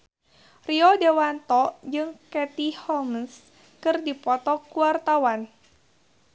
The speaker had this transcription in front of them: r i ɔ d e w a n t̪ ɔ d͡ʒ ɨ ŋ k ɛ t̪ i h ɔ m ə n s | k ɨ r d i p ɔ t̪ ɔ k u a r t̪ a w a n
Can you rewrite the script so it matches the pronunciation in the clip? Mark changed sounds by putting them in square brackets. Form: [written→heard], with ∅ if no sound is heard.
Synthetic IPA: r i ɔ d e w a n t̪ ɔ d͡ʒ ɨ ŋ k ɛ t̪ i h ɔ m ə n s | k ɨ r d i p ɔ t̪ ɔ k u a r t̪ a w a n